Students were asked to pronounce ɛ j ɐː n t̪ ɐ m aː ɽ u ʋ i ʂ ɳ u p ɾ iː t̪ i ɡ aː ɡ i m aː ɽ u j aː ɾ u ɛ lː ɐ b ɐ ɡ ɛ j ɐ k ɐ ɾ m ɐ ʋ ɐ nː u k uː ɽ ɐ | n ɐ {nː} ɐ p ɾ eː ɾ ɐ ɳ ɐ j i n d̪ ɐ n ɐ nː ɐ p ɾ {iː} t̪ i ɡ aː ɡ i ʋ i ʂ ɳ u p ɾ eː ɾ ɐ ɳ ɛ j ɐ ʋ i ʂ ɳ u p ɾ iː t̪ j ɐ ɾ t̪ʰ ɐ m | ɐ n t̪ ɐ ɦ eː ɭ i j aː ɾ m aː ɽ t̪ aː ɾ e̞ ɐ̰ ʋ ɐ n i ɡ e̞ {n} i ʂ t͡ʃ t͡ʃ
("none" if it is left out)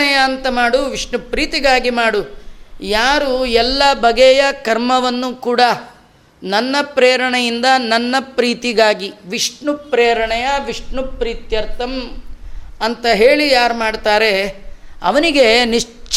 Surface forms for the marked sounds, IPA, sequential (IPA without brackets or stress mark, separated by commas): nː, iː, n